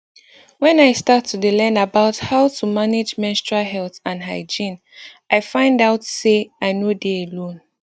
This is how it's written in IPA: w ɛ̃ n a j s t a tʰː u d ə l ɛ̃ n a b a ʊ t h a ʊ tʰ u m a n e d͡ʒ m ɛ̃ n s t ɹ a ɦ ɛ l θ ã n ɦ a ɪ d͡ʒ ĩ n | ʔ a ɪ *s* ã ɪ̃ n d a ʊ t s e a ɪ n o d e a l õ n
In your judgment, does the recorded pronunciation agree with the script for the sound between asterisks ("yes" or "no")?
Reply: no